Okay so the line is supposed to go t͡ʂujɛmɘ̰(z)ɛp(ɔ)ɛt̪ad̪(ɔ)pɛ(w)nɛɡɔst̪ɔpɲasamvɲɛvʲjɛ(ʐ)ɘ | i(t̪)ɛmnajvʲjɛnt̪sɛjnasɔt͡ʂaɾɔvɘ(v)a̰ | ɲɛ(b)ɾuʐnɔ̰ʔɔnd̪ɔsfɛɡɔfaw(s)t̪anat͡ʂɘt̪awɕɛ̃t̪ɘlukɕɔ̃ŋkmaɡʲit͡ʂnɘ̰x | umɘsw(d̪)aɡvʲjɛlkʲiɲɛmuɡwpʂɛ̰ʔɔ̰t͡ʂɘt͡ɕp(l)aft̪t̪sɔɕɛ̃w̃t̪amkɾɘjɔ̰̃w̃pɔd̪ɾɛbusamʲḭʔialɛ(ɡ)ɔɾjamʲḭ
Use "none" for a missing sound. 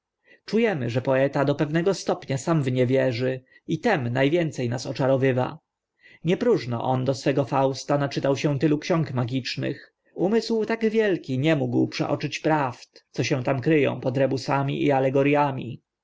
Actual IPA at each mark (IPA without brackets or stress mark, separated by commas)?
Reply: ʐ, ɔ, ɔ, v, ʐ, t̪, v, p, s, t̪, ɾ, ɡ